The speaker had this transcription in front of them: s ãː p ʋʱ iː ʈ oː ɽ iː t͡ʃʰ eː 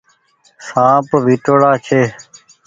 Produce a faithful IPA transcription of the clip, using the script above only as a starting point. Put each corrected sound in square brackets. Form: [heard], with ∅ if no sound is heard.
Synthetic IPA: s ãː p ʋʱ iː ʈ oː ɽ [aː] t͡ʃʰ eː